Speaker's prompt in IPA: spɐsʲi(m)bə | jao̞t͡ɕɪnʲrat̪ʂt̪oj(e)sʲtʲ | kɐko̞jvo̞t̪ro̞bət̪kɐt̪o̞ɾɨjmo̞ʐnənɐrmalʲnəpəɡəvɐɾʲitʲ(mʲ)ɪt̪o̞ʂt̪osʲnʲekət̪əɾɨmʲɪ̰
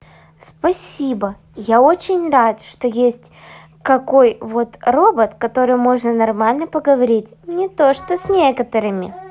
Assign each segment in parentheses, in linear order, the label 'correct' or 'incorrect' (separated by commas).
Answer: incorrect, correct, incorrect